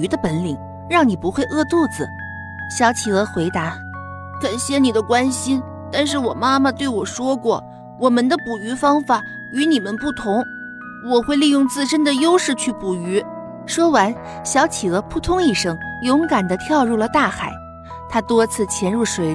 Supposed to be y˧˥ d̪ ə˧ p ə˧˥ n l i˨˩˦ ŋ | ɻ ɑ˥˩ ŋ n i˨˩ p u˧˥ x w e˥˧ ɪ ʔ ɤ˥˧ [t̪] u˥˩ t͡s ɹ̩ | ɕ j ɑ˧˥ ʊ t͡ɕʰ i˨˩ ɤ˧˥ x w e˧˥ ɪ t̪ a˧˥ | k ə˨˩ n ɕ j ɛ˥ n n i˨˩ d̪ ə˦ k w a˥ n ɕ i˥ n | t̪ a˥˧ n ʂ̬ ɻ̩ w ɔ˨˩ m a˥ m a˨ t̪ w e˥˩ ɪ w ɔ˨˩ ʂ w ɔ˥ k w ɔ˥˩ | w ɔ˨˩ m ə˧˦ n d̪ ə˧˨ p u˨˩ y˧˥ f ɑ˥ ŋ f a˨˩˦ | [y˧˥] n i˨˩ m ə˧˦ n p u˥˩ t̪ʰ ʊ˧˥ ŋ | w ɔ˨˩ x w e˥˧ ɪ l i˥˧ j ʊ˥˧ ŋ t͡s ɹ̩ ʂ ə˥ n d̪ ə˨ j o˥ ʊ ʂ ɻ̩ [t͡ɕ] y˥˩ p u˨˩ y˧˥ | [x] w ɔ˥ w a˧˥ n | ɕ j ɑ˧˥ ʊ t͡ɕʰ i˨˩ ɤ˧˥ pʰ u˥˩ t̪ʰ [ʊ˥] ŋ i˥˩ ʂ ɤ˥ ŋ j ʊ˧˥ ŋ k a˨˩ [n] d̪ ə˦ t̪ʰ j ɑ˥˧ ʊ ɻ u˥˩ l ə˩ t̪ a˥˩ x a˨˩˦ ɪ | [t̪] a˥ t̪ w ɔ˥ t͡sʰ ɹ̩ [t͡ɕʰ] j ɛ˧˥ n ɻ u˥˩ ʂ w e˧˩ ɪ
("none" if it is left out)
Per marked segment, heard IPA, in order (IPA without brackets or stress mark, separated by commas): t̪, y˧˥, t͡ɕʰ, ʂ, ʊ˥, n, t̪ʰ, t͡ɕʰ